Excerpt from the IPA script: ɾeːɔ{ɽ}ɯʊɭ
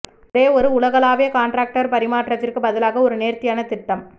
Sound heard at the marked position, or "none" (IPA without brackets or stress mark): ɾ